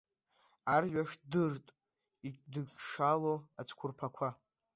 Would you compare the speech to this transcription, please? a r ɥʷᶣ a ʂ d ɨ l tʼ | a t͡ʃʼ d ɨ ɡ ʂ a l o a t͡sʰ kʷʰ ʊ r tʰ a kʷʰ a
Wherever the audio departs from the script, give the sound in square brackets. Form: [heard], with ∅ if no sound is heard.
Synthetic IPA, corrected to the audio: a r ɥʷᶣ a ʂ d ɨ [r] tʼ | [i] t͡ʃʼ d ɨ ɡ ʂ a l o a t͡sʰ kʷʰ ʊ r [pʰ] a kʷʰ a